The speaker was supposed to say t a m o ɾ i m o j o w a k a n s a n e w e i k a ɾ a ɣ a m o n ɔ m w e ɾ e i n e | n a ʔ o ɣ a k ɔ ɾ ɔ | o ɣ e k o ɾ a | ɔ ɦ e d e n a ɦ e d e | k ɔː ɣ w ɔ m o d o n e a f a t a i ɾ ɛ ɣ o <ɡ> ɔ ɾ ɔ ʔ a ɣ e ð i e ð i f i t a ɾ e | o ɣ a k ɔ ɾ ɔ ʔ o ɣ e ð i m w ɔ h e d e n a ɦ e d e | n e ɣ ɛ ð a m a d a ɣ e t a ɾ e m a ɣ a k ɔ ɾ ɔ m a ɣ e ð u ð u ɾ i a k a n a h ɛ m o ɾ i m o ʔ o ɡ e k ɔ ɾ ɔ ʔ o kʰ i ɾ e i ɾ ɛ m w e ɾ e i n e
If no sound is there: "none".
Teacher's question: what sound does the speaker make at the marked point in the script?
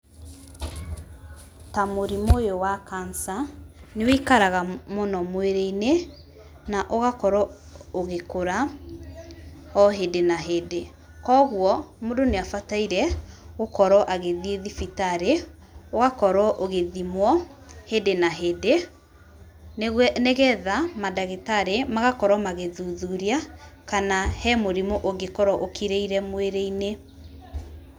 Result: k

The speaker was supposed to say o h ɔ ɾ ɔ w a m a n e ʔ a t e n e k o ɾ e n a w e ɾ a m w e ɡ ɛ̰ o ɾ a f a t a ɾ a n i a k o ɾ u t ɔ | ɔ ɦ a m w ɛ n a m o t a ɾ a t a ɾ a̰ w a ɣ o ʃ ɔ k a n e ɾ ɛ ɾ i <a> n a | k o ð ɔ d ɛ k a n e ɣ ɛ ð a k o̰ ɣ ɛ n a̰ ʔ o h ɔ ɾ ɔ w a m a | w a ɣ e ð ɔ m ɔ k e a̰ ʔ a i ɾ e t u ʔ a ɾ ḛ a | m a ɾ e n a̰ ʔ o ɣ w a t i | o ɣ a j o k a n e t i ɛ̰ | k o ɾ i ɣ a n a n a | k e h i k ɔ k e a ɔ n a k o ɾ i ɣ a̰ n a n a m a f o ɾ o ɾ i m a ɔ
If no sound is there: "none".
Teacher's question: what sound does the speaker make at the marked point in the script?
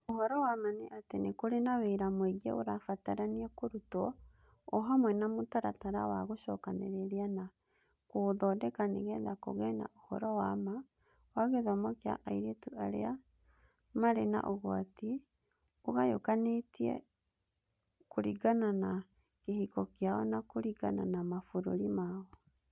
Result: a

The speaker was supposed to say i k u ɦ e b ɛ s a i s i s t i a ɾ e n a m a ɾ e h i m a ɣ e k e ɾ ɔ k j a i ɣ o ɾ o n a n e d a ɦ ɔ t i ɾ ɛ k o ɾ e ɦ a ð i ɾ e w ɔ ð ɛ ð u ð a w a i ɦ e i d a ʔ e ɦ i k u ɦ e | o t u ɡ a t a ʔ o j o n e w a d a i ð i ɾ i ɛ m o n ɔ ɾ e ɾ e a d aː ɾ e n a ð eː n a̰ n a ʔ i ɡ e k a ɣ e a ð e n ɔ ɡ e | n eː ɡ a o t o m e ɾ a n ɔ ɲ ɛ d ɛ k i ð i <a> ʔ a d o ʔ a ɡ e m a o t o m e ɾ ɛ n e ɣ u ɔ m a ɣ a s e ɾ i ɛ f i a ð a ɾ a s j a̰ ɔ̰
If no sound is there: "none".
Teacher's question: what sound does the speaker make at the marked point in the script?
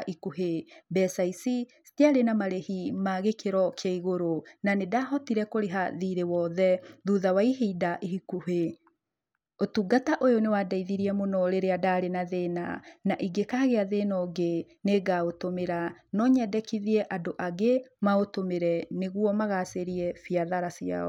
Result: ɛ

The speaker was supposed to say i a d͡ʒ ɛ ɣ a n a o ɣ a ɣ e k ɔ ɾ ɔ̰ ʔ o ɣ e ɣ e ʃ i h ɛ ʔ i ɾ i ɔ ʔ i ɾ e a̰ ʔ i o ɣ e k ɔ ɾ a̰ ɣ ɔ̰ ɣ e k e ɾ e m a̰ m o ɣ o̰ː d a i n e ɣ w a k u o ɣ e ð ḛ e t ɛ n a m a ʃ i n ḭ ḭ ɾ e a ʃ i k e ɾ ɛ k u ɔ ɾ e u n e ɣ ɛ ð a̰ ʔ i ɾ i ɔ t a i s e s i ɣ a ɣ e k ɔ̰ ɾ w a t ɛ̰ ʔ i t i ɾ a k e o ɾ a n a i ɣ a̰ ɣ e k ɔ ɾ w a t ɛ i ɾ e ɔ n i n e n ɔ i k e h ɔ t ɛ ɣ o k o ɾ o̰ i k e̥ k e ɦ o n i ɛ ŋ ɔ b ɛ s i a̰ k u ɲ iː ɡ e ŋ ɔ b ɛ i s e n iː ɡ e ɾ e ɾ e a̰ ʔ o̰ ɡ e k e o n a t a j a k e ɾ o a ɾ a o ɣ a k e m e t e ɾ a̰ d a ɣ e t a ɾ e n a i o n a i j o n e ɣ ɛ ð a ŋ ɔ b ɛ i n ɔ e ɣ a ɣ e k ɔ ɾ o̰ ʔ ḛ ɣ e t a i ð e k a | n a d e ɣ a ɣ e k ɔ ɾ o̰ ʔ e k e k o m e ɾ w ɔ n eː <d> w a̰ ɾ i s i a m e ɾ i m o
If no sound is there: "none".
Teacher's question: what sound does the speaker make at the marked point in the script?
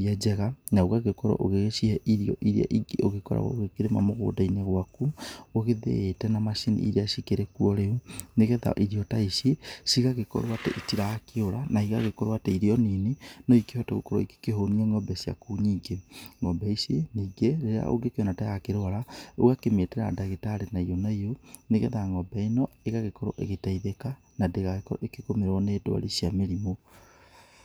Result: d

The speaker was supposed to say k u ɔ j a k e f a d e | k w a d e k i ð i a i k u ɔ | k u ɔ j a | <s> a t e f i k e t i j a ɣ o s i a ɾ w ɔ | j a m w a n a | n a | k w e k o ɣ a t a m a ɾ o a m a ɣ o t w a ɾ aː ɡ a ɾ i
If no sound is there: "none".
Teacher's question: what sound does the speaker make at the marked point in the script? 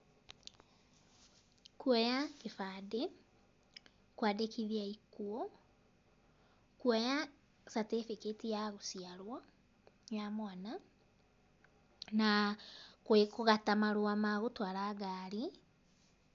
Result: s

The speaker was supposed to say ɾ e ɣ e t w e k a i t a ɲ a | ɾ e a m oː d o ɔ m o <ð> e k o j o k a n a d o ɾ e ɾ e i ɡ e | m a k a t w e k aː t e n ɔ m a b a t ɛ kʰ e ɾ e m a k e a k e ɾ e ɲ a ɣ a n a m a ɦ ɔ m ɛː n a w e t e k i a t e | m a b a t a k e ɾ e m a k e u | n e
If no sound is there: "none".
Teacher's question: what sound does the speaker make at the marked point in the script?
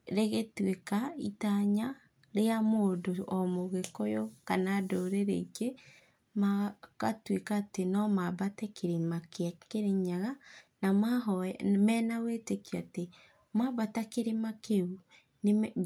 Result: ɣ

